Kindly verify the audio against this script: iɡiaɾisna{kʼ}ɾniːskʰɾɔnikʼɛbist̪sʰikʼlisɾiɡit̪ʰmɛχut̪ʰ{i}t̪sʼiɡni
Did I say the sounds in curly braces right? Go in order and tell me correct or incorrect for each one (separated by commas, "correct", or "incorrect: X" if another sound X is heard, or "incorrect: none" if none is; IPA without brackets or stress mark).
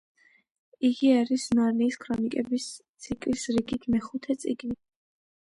incorrect: none, incorrect: ɛ